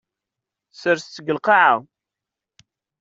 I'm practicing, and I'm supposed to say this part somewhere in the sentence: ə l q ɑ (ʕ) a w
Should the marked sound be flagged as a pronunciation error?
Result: no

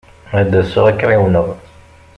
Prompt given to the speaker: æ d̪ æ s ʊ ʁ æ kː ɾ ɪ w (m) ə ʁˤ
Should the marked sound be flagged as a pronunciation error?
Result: yes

